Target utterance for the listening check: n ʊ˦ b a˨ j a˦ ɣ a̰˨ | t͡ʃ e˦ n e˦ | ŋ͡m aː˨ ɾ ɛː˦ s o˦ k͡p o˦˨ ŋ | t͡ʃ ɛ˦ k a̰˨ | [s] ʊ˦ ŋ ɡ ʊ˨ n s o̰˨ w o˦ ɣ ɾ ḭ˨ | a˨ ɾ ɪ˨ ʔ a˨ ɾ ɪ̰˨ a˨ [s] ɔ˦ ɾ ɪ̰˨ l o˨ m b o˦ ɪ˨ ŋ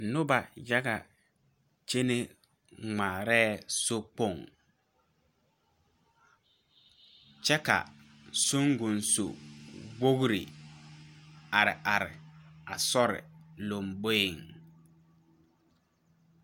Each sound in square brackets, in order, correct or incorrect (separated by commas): correct, correct